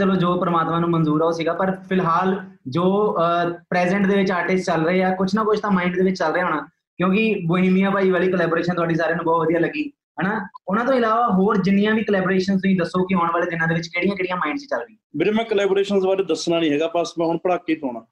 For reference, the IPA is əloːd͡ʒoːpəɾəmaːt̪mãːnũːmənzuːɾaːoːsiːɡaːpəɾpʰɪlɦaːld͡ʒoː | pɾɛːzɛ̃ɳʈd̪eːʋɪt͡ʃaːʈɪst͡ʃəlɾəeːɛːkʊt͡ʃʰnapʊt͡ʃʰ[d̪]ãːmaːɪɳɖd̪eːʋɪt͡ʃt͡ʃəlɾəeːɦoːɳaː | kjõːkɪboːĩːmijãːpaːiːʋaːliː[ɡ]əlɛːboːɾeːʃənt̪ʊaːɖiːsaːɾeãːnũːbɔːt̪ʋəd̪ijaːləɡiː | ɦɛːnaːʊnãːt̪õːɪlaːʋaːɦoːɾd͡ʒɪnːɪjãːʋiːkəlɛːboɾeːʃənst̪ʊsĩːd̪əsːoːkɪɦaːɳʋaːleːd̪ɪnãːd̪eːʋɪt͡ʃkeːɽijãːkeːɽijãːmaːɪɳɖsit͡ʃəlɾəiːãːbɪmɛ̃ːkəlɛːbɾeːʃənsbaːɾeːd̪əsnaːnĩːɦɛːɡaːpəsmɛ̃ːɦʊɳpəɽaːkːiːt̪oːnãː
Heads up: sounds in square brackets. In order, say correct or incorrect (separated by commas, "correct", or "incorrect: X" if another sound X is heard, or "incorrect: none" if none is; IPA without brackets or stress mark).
incorrect: t̪, incorrect: k